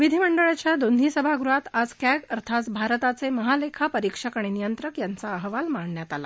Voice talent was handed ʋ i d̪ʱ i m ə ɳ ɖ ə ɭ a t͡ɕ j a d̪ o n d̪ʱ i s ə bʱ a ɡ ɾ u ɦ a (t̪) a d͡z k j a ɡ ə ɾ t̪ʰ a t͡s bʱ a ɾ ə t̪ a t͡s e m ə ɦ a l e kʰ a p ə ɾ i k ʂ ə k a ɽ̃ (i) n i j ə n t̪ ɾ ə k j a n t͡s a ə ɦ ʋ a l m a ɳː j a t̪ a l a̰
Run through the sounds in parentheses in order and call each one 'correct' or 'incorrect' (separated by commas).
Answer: correct, correct